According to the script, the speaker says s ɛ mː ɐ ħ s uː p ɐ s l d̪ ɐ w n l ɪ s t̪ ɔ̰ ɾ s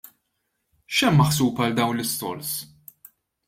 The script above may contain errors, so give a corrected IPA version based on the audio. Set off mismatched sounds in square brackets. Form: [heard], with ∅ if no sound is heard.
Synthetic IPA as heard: [ʃ] ɛ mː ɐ ħ s uː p ɐ [∅] l d̪ ɐ w n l ɪ s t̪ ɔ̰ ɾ s